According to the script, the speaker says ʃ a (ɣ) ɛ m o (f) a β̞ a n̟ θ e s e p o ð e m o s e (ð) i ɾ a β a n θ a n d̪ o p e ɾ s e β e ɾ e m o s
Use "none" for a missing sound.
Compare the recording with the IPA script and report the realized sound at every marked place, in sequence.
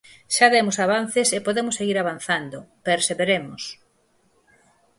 ð, s, ɣ

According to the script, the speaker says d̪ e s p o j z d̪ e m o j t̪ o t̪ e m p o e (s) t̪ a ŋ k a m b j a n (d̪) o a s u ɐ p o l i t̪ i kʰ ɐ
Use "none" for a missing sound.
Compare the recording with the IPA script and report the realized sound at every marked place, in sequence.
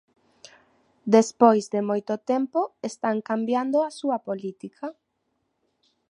s, d̪

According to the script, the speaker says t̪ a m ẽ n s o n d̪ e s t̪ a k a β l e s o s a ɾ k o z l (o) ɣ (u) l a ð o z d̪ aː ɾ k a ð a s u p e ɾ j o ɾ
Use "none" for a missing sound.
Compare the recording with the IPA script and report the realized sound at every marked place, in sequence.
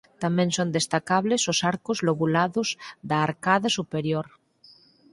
o, u

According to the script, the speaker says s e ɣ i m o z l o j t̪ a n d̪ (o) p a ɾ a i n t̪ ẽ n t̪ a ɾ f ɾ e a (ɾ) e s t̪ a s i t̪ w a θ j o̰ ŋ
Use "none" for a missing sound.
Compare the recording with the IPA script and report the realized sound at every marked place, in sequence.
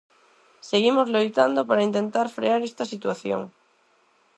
o, ɾ

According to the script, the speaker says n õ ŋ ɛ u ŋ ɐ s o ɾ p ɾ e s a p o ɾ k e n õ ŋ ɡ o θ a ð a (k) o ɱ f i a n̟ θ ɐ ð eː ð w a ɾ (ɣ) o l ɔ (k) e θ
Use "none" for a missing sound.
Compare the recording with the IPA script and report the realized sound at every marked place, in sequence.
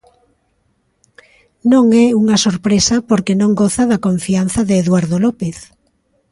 k, ð, p

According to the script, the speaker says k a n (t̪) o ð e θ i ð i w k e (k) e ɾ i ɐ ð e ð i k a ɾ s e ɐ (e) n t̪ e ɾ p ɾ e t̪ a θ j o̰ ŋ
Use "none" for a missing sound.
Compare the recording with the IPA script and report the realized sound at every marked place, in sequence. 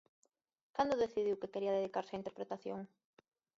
d̪, k, i

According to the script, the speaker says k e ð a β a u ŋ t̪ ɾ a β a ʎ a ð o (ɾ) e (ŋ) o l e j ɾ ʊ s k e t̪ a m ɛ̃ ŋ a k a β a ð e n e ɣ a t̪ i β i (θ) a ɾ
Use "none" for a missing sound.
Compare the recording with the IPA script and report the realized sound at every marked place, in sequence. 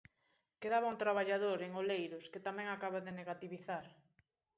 ɾ, ŋ, θ

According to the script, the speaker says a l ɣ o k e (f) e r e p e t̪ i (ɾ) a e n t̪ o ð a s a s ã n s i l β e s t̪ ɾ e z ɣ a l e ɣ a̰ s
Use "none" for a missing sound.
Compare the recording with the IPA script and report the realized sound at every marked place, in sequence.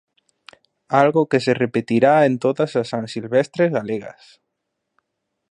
s, ɾ

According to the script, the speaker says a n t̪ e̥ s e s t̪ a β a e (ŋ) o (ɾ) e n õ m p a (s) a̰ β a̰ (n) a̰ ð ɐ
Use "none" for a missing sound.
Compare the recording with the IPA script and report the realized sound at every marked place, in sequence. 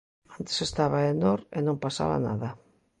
n, ɾ, s, n

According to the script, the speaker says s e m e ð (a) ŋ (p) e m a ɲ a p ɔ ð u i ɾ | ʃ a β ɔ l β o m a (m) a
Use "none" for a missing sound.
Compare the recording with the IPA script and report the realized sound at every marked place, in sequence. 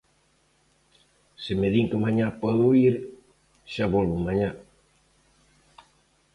i, k, ɲ

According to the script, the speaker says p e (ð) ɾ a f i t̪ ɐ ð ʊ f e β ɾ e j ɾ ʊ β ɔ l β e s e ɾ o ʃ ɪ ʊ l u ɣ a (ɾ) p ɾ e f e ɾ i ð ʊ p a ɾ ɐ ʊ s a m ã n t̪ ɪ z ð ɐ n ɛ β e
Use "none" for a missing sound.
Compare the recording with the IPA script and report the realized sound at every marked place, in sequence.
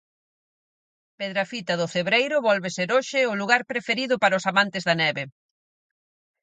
ð, ɾ

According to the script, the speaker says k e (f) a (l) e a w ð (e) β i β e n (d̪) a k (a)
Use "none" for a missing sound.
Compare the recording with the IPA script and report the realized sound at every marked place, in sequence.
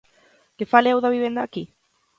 f, l, a, d̪, i

